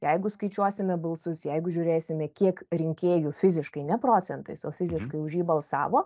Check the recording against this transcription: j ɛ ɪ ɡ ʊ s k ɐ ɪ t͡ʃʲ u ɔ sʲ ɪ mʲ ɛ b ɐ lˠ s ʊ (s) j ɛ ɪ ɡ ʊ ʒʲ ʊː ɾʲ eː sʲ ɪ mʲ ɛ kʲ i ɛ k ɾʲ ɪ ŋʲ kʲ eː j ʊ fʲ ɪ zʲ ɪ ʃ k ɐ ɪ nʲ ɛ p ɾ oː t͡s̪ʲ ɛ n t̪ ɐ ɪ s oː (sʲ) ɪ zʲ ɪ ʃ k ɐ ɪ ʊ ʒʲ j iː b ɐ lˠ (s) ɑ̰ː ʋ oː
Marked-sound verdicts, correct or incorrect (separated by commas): correct, incorrect, correct